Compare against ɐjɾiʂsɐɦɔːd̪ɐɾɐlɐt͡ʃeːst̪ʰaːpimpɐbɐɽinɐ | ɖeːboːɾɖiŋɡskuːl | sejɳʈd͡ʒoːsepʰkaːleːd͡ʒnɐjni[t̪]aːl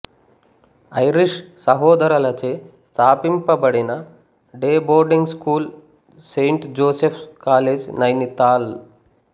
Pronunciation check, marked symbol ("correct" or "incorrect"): correct